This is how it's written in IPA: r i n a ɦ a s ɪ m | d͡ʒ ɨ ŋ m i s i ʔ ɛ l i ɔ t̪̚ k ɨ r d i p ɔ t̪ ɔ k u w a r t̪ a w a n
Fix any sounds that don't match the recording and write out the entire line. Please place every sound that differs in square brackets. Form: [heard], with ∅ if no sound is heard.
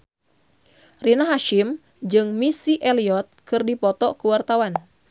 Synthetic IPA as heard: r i n a ɦ a [ʃ] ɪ m | d͡ʒ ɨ ŋ m i s i ʔ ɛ l i ɔ t̪̚ k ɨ r d i p ɔ t̪ ɔ k u w a r t̪ a w a n

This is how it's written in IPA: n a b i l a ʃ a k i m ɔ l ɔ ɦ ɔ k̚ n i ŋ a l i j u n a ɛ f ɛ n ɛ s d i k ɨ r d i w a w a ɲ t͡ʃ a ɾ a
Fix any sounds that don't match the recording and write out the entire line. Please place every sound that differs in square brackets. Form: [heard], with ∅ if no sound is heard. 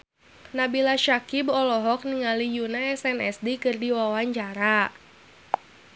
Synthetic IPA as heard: n a b i l a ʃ a k i [b] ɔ l ɔ ɦ ɔ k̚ n i ŋ a l i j u n a ɛ [s] ɛ n ɛ s d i k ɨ r d i w a w a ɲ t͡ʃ a ɾ a

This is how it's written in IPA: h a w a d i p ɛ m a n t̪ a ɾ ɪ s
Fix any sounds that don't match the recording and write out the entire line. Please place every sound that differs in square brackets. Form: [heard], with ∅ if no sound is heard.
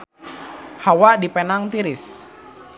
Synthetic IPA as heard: h a w a d i p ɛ [n] a [ŋ] t̪ [i] ɾ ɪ s

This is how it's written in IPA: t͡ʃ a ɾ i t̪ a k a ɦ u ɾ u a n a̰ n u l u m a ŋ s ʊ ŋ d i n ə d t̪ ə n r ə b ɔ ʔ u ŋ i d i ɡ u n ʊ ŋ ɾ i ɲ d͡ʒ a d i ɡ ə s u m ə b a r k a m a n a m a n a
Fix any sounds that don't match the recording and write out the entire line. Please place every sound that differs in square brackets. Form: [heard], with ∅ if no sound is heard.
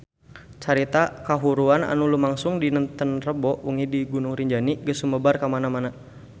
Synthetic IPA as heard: t͡ʃ a ɾ i t̪ a k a ɦ u ɾ u a n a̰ n u l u m a ŋ s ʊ ŋ d i n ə [n] t̪ ə n r ə b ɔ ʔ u ŋ i d i ɡ u n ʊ ŋ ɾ i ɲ d͡ʒ a [n] i ɡ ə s u m ə b a r k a m a n a m a n a

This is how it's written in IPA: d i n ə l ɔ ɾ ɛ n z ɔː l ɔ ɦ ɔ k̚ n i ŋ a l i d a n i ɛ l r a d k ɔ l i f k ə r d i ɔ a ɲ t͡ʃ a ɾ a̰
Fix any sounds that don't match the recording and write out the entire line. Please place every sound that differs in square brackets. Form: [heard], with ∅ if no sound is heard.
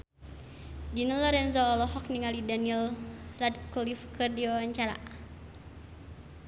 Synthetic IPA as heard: d i n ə l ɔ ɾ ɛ n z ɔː l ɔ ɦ ɔ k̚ n i ŋ a l i d a n i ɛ l r a d k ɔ l i f k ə r d i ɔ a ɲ t͡ʃ a ɾ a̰

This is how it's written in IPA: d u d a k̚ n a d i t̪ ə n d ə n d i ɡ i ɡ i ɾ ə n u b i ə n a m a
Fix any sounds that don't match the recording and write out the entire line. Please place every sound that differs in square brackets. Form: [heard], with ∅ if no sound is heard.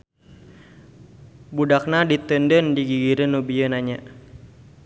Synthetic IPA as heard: [b] u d a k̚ n a d i t̪ ə n d ə n d i ɡ i ɡ i ɾ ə n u b i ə n a [ɲ] a

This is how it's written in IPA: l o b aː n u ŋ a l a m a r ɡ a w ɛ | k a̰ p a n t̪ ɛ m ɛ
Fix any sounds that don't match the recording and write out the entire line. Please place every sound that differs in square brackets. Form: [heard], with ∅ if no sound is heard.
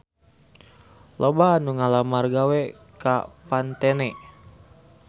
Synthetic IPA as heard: l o b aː n u ŋ a l a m a r ɡ a w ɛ | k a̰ p a n t̪ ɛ [n] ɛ

